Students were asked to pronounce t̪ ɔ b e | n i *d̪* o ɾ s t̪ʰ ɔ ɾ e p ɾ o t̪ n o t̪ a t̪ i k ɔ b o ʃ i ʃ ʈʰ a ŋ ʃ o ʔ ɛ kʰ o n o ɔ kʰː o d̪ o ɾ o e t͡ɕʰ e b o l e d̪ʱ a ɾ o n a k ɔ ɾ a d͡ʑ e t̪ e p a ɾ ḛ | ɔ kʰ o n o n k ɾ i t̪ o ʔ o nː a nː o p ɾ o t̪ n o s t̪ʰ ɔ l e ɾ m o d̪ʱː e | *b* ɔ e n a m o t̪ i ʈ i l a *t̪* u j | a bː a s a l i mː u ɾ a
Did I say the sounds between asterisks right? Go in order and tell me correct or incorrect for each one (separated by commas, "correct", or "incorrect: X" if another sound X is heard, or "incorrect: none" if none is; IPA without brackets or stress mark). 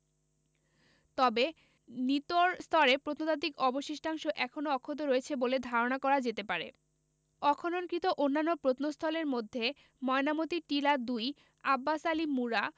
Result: incorrect: t̪, incorrect: m, incorrect: d̪